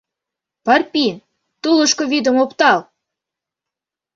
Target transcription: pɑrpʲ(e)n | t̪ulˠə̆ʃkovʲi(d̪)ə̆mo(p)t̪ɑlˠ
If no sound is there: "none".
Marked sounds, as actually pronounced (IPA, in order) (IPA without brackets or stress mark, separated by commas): i, d̪, p